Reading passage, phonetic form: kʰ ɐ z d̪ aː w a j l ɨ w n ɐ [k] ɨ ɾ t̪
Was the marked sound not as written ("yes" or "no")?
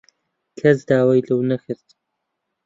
yes